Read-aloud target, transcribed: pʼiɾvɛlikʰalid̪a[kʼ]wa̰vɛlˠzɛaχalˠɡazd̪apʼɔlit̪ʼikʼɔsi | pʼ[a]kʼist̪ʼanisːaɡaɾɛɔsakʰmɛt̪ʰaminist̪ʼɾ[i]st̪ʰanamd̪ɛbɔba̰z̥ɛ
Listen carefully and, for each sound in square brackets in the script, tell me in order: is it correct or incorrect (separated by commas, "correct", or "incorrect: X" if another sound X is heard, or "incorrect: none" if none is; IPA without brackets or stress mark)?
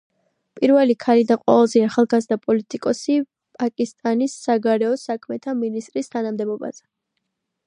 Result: incorrect: qʼ, correct, correct